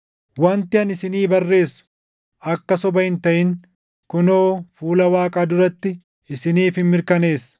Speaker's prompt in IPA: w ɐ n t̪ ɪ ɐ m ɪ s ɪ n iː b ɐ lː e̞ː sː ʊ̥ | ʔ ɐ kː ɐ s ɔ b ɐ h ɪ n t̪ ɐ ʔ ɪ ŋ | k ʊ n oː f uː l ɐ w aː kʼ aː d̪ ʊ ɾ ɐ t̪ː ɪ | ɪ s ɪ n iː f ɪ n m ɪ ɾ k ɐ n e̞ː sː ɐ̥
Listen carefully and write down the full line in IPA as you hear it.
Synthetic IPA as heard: w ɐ n t̪ ɪ ɐ n ɪ s ɪ n iː b ɐ rː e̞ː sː ʊ̥ | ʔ ɐ kː ɐ s ɔ b ɐ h ɪ n t̪ ɐ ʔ ɪ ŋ | k ʊ n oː f uː l ɐ w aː kʼ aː d̪ ʊ ɾ ɐ t̪ː ɪ | ɪ s ɪ n iː f ɪ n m ɪ ɾ k ɐ n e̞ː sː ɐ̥